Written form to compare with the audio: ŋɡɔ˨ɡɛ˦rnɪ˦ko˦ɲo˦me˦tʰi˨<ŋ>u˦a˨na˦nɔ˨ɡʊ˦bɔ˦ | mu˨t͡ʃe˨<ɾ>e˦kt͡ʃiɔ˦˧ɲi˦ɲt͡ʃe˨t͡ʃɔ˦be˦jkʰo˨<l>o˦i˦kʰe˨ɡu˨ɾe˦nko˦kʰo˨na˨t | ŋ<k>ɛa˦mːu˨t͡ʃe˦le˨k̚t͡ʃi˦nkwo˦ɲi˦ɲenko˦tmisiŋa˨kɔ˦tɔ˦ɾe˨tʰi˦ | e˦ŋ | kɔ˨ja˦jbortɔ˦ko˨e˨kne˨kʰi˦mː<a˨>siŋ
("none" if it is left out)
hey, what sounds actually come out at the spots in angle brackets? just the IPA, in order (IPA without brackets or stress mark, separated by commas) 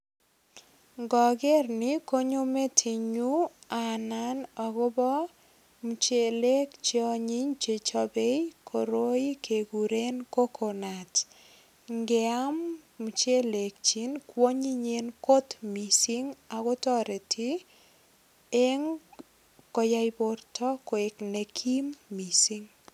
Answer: ɲ, l, ɾ, ɡ, i˨